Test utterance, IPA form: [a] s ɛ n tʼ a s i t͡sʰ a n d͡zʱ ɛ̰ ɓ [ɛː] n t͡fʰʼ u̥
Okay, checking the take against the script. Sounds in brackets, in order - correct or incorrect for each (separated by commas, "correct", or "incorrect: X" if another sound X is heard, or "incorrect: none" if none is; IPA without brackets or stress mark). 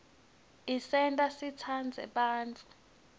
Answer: incorrect: i, incorrect: aː